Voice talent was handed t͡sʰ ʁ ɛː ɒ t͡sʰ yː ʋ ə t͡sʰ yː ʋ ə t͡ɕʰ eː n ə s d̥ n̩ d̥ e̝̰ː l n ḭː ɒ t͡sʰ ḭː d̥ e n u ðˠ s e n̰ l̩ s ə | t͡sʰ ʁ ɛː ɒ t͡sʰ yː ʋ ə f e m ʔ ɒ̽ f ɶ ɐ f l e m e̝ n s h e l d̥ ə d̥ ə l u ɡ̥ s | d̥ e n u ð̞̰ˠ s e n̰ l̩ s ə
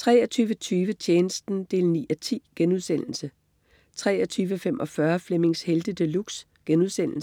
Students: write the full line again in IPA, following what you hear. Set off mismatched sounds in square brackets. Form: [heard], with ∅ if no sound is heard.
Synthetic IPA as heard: t͡sʰ ʁ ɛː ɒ t͡sʰ yː ʋ ə t͡sʰ yː ʋ ə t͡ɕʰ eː n ə s d̥ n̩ d̥ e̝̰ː l n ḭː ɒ t͡sʰ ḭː [ɡ̥] e n u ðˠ s e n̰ l̩ s ə | t͡sʰ ʁ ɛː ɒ t͡sʰ yː ʋ ə f e m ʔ ɒ̽ f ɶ ɐ f l e m e̝ [ŋ] s h e l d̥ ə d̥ ə l u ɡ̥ s | [ɡ̥] e n u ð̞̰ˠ s e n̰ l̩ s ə